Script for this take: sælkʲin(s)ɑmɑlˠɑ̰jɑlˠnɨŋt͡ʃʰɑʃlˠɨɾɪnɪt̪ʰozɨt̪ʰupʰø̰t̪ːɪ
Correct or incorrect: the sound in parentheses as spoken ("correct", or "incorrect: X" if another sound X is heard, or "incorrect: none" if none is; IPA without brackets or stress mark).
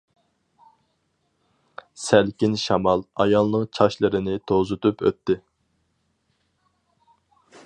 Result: incorrect: ʃ